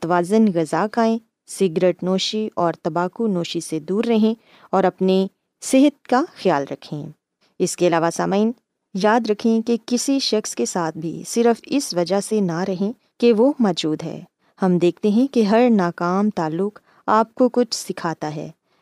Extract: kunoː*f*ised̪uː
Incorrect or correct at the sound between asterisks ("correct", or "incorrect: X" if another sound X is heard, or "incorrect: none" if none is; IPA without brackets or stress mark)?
incorrect: ʃ